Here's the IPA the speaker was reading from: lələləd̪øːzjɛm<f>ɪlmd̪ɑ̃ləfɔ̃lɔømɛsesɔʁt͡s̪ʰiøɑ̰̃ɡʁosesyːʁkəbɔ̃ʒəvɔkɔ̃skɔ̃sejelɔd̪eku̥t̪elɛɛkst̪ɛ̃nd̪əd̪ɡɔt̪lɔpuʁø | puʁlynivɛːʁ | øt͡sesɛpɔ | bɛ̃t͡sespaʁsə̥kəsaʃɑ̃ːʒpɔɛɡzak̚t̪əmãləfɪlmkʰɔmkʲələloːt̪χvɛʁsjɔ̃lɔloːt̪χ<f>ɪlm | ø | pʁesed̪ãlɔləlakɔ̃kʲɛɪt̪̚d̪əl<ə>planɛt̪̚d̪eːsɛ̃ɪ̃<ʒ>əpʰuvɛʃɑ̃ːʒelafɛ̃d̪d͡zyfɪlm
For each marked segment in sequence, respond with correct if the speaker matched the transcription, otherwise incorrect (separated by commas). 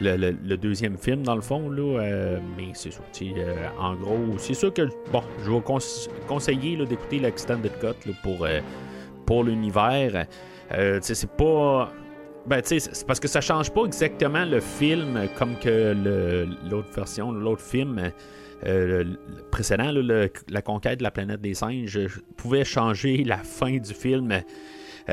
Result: correct, correct, incorrect, correct